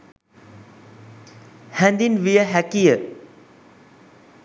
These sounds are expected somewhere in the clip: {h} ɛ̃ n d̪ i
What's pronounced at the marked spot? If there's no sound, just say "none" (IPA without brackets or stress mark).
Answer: h